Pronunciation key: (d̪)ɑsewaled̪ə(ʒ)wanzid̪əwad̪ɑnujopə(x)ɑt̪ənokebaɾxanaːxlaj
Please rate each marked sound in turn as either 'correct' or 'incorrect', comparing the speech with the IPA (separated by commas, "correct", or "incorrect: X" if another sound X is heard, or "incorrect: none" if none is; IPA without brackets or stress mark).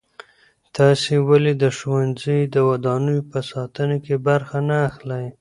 incorrect: t̪, incorrect: ʃ, incorrect: s